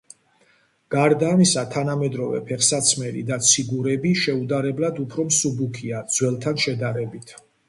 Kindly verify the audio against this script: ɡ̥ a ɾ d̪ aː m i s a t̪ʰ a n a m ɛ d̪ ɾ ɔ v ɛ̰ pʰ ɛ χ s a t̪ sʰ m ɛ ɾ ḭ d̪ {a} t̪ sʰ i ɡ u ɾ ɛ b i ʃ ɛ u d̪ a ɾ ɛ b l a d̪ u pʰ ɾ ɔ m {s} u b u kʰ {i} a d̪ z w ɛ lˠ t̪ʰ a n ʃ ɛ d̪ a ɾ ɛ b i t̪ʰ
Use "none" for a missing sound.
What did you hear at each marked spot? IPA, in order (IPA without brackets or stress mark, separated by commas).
a, s, i